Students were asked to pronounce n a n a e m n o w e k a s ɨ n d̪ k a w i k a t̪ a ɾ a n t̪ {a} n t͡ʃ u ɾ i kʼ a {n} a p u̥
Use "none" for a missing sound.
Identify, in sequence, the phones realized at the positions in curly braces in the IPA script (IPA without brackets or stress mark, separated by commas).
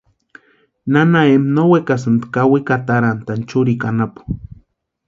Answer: a, n